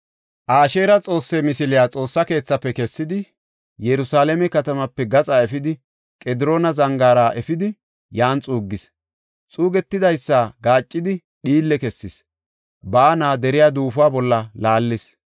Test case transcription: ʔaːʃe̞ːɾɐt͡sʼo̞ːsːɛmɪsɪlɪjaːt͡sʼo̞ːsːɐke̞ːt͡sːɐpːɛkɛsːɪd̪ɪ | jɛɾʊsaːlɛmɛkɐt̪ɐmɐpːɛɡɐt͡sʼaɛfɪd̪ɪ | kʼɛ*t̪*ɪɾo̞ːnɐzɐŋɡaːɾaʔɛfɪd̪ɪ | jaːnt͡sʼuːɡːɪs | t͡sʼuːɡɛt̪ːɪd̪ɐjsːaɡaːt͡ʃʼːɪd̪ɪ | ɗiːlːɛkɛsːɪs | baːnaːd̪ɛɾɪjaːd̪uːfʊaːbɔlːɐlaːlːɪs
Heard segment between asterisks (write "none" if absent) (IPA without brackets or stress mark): d̪